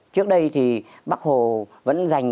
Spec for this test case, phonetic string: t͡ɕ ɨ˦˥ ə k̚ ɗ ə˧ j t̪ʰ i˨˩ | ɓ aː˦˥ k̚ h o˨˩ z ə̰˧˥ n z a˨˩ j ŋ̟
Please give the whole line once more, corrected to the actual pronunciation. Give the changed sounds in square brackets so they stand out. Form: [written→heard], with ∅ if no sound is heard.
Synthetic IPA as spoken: t͡ɕ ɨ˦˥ ə k̚ ɗ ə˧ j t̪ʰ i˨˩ | ɓ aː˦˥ k̚ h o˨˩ [z→v] ə̰˧˥ n z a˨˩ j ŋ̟